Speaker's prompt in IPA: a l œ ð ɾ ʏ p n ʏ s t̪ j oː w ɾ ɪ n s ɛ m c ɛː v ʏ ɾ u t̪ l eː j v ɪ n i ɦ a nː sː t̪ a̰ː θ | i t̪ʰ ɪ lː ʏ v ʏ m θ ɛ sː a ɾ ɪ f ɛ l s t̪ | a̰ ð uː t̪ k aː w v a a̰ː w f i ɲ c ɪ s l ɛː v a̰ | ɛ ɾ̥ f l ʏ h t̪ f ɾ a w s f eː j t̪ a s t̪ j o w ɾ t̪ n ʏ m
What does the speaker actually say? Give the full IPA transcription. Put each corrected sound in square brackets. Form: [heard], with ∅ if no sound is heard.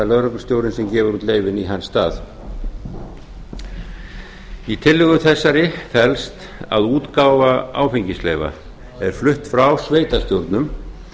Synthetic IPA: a l œ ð ɾ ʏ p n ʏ s t̪ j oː w ɾ ɪ n s ɛ m c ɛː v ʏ ɾ u t̪ l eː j v ɪ n i ɦ a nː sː t̪ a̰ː θ | i t̪ʰ ɪ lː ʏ [ɣ] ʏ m θ ɛ sː a ɾ ɪ f ɛ l s t̪ | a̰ ð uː t̪ k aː w v a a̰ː w f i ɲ c ɪ s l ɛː v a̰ | ɛ ɾ̥ f l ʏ h t̪ f ɾ a w s [v] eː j t̪ a s t̪ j o w ɾ t̪ n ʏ m